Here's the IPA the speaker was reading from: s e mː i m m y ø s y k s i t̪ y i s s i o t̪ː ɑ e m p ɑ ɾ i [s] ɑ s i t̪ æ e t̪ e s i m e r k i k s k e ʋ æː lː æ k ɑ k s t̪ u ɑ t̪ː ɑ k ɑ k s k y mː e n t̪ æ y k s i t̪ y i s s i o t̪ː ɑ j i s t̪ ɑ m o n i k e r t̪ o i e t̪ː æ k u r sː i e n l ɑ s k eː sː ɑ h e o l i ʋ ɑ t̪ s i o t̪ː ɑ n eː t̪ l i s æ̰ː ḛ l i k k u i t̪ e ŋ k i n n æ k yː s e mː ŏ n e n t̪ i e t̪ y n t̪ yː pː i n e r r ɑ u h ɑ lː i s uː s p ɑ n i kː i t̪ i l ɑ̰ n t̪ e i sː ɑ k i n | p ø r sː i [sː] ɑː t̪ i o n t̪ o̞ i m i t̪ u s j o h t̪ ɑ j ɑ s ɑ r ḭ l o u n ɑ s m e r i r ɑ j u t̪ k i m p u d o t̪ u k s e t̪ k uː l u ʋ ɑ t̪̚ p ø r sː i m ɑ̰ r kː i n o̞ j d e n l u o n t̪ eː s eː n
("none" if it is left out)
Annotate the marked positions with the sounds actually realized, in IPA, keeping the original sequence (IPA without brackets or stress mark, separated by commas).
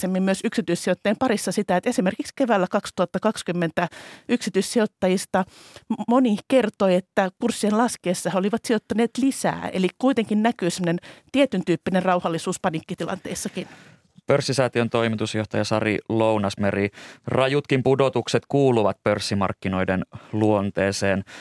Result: sː, s